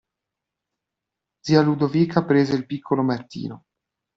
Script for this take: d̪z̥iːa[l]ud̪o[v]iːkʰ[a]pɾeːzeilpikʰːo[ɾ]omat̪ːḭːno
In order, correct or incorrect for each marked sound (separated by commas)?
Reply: correct, correct, correct, incorrect